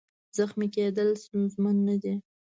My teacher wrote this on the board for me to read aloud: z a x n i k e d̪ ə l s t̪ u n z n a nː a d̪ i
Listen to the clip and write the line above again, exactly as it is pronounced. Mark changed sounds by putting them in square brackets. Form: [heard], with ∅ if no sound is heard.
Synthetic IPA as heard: z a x [m] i k e d̪ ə l s t̪ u n z [m] a nː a d̪ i